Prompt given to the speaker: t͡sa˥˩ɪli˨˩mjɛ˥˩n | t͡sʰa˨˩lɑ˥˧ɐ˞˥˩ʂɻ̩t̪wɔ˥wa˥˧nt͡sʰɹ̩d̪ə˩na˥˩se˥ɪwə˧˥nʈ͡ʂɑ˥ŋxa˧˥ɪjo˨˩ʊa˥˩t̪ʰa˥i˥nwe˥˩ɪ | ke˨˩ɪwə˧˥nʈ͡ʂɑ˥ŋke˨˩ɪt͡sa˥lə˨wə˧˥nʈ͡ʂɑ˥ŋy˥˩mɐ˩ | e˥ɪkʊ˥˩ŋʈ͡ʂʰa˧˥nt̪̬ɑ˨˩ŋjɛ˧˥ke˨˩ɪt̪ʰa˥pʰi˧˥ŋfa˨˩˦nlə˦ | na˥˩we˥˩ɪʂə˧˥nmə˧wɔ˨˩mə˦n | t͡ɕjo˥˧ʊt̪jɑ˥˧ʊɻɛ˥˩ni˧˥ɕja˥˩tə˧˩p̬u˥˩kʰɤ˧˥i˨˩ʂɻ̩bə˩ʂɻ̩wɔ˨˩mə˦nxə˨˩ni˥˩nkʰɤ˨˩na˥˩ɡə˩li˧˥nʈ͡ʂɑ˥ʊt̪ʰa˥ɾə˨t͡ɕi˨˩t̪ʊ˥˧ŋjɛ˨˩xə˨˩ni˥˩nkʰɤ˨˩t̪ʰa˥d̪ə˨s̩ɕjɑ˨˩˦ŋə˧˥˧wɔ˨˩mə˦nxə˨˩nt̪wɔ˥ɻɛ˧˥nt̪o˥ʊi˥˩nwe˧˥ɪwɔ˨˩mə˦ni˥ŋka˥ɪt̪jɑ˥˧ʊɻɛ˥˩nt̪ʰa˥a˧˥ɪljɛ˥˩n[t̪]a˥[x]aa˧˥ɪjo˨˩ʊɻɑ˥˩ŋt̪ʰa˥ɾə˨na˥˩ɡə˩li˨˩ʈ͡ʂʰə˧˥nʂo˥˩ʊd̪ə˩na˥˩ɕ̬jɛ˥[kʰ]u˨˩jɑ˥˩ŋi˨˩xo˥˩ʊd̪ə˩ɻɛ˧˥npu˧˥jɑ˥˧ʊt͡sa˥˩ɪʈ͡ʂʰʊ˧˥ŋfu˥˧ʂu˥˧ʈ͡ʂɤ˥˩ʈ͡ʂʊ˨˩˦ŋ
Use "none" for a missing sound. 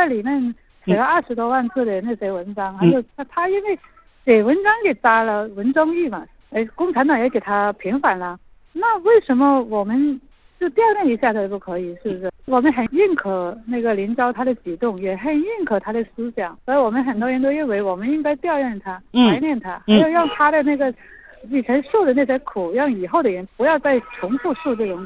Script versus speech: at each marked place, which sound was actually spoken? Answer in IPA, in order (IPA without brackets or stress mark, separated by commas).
t̪ʰ, x, kʰ